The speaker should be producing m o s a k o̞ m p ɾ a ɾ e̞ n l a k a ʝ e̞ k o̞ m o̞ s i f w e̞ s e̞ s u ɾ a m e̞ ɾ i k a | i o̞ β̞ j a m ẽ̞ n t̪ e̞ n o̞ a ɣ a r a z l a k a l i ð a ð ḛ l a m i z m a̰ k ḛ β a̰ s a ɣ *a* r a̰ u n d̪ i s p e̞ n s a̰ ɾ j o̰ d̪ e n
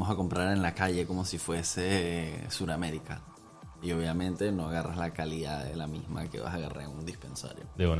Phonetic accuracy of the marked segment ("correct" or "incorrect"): correct